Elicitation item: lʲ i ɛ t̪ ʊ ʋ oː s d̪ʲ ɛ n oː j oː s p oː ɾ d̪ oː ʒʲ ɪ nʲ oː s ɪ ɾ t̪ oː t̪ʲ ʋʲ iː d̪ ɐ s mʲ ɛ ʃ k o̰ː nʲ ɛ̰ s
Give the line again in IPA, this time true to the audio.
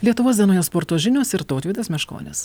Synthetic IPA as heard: lʲ i ɛ t̪ ʊ ʋ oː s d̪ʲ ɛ n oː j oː s p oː ɾ t̪ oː ʒʲ ɪ nʲ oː s ɪ ɾ t̪ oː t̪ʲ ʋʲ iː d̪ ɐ s mʲ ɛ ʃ k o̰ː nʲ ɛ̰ s